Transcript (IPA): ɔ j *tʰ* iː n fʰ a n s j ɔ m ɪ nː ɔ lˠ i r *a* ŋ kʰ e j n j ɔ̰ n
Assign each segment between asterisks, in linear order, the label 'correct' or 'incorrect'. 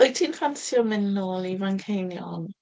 correct, correct

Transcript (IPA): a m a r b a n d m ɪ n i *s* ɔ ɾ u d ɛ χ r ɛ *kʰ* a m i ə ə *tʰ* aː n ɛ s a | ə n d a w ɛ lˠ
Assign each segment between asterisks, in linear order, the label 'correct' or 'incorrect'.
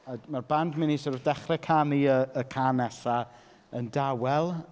correct, correct, incorrect

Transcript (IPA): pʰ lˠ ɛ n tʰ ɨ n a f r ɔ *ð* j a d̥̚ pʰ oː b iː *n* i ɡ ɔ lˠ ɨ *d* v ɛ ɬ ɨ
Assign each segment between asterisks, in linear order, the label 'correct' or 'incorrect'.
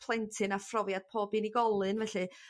incorrect, correct, incorrect

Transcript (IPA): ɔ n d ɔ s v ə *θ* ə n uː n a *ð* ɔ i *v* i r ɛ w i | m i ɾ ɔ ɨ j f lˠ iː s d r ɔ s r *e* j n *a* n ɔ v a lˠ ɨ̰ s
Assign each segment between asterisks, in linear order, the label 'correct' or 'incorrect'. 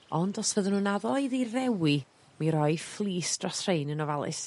incorrect, correct, incorrect, correct, incorrect

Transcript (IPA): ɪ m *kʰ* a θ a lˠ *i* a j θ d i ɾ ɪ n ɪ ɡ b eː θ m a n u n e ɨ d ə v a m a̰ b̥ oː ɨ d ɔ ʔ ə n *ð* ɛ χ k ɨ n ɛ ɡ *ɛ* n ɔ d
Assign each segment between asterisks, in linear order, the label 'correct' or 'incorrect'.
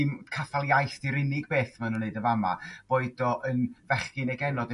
correct, incorrect, incorrect, correct

